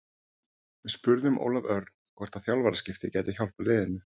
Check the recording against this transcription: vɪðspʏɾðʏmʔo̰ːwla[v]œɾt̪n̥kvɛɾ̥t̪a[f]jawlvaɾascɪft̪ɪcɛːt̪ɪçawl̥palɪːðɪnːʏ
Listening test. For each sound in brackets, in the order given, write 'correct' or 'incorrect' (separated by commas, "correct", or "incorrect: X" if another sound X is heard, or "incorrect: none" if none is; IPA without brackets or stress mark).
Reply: correct, incorrect: θ